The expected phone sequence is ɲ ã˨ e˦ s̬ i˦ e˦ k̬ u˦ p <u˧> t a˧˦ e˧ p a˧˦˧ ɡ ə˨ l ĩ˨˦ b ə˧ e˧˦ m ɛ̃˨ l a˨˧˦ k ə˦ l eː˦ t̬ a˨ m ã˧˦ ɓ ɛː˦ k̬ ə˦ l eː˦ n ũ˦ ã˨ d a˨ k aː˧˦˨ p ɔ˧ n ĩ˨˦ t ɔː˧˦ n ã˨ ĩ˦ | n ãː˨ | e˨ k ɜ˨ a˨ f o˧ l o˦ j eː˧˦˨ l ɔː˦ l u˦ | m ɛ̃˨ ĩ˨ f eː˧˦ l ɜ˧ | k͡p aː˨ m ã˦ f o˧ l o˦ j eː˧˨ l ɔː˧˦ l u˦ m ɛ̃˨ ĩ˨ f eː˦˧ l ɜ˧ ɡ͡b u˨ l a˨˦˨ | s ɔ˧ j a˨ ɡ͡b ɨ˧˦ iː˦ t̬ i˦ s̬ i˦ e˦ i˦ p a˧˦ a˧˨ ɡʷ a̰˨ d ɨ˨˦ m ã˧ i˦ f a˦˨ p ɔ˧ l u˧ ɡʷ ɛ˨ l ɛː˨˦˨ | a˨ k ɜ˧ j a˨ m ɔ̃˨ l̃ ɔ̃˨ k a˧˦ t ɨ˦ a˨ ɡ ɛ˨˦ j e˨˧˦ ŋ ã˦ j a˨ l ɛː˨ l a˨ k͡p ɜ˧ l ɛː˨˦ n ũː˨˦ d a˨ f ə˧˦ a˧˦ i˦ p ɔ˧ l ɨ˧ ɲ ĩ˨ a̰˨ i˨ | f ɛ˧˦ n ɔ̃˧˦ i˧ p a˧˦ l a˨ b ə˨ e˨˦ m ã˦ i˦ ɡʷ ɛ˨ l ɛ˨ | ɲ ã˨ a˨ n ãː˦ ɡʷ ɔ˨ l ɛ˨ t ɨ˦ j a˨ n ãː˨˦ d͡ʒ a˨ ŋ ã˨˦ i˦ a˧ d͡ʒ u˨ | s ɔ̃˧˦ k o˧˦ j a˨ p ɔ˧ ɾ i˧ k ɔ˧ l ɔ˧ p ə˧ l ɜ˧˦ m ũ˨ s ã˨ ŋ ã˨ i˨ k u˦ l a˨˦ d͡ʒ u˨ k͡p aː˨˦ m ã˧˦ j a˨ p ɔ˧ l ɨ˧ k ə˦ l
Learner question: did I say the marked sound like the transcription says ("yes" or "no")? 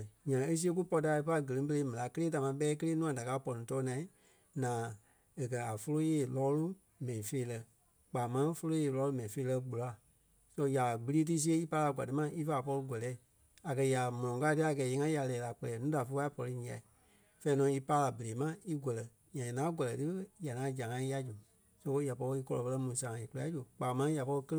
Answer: no